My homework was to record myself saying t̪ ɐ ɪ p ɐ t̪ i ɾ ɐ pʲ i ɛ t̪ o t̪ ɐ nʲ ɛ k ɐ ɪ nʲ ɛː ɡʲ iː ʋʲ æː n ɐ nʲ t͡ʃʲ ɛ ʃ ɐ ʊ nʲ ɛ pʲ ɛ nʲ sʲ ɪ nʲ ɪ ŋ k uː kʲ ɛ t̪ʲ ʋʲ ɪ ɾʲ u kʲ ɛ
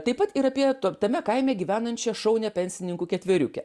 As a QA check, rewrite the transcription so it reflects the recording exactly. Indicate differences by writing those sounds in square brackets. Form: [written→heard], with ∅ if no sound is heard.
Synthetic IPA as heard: t̪ ɐ ɪ p ɐ t̪ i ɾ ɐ pʲ i ɛ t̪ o t̪ ɐ [nʲ→mʲ] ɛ k ɐ ɪ [nʲ→mʲ] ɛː ɡʲ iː ʋʲ æː n ɐ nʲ t͡ʃʲ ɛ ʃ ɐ ʊ nʲ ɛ pʲ ɛ nʲ sʲ ɪ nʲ ɪ ŋ k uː kʲ ɛ t̪ʲ ʋʲ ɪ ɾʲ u kʲ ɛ